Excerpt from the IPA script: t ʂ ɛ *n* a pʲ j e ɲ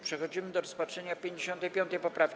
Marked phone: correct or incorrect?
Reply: incorrect